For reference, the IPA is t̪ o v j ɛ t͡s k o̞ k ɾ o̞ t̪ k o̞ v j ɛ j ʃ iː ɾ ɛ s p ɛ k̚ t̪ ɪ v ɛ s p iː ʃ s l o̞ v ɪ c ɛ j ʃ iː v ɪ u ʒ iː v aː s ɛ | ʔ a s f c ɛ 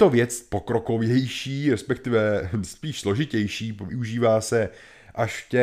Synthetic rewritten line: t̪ o v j ɛ t͡s p o̞ k ɾ o̞ k o̞ v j ɛ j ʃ iː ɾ ɛ s p ɛ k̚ t̪ ɪ v ɛ s p iː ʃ s l o̞ ʒ ɪ c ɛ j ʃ iː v ɪ u ʒ iː v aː s ɛ | ʔ a ʃ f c ɛ